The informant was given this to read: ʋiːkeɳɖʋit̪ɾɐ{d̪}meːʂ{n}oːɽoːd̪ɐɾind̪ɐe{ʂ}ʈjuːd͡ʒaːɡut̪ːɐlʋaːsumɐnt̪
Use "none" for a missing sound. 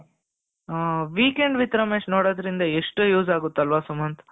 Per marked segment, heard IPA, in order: none, n, ʂ

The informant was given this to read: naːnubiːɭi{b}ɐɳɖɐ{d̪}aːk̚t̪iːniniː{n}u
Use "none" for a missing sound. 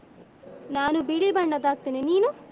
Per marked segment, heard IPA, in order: b, d̪, n

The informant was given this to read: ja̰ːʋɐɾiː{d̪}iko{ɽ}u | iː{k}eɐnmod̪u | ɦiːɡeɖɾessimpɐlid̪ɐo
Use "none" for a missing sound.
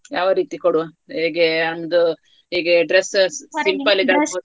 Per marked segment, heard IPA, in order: t̪, ɽ, ɡ

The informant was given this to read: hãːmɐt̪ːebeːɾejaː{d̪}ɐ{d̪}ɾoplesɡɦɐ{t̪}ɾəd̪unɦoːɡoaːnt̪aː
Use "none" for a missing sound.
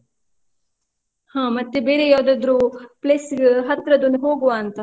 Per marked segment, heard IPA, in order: d̪, d̪, t̪

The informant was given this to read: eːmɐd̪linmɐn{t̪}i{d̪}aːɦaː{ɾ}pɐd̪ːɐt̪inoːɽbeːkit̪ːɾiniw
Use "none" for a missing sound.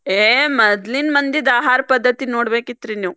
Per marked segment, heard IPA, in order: d̪, d̪, ɾ

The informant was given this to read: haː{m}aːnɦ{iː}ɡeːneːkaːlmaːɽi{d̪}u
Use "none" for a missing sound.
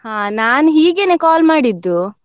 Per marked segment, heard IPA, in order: n, iː, d̪ː

